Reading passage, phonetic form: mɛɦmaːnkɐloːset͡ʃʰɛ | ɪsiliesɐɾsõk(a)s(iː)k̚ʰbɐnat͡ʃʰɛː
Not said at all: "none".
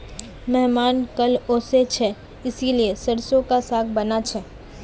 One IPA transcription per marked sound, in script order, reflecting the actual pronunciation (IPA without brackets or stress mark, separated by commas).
a, aː